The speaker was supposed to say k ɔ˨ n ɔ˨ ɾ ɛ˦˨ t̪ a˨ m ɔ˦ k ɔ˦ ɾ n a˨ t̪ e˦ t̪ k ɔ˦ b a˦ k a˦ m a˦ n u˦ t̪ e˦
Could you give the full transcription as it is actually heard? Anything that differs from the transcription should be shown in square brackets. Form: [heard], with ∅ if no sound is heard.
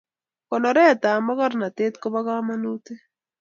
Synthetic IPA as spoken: k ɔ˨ n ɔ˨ ɾ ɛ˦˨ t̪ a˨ m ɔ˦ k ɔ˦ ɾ n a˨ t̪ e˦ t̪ k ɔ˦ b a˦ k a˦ m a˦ n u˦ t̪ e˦